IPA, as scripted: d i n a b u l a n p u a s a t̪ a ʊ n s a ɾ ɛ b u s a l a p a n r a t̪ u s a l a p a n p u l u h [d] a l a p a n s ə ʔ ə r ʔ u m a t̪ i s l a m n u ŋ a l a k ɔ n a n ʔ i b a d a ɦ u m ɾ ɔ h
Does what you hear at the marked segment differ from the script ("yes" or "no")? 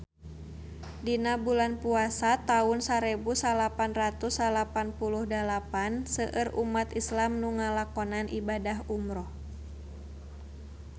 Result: no